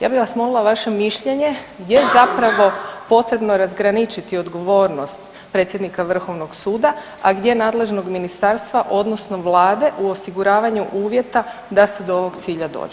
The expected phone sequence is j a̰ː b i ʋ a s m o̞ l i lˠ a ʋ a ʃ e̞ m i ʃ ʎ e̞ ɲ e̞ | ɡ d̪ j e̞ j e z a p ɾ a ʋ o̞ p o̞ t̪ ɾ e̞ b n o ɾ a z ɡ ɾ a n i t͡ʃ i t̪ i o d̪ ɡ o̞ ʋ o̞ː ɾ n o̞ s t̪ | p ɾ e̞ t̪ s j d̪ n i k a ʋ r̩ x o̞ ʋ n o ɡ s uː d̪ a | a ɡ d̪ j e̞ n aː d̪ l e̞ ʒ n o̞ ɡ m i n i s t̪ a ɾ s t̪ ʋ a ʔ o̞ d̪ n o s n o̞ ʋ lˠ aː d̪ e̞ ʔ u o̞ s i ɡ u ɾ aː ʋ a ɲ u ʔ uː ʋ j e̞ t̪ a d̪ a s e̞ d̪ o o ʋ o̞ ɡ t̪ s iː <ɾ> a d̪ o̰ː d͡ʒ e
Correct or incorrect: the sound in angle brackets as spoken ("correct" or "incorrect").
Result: incorrect